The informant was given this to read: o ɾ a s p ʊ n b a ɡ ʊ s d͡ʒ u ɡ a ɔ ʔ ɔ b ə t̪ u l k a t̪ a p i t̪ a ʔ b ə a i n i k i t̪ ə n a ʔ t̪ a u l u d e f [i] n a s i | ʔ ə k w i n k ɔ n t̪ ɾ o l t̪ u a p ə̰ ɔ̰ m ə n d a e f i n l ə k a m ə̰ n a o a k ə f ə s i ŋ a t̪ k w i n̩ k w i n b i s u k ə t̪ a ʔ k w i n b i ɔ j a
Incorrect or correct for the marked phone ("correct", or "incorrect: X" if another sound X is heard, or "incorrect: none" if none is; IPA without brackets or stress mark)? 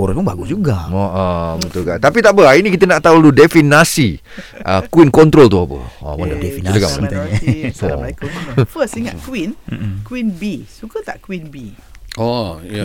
correct